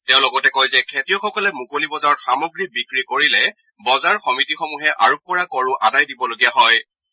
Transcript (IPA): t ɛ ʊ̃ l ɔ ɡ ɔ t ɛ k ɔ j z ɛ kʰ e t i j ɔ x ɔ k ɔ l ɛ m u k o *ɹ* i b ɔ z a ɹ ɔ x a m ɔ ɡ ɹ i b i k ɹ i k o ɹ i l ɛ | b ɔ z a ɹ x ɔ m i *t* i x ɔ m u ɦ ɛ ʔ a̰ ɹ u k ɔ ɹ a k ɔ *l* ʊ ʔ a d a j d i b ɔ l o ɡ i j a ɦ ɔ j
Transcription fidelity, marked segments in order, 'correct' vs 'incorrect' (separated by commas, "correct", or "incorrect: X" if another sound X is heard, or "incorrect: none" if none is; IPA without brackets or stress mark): incorrect: l, correct, incorrect: ɹ